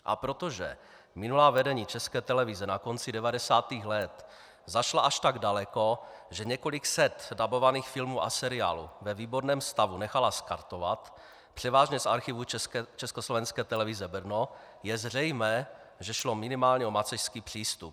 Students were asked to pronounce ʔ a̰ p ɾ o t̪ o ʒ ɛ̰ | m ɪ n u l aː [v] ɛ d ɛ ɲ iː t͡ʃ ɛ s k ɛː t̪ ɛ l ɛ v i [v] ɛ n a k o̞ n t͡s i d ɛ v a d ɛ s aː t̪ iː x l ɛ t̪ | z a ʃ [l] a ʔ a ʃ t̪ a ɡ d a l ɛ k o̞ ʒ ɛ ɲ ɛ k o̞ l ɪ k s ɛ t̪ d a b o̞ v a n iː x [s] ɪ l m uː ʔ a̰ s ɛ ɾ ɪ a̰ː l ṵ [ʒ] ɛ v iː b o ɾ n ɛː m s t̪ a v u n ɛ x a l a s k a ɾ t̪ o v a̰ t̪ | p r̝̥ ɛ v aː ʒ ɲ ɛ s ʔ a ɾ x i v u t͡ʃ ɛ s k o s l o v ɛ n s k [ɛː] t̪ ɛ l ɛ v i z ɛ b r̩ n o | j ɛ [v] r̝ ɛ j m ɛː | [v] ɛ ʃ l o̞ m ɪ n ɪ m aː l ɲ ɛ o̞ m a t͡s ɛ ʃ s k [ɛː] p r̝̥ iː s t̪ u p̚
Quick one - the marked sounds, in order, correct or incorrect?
correct, incorrect, correct, incorrect, incorrect, correct, incorrect, incorrect, incorrect

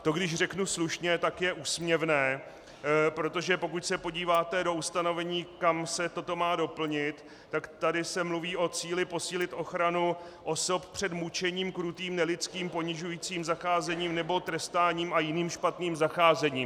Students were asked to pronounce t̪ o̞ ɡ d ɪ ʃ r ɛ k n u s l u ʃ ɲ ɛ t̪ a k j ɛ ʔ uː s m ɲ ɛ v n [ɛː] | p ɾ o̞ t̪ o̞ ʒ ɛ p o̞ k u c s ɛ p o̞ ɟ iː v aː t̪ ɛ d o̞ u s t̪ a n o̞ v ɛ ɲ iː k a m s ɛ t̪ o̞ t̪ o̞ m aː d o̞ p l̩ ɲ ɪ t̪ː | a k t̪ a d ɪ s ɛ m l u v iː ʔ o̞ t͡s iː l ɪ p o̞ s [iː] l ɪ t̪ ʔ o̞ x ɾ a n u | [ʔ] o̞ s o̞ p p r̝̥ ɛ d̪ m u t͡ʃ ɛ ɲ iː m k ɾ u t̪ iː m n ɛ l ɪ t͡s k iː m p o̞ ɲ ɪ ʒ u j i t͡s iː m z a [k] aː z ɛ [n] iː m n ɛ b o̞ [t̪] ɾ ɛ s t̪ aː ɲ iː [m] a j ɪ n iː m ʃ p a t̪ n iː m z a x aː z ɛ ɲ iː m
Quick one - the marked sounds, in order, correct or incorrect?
correct, correct, correct, incorrect, incorrect, correct, correct

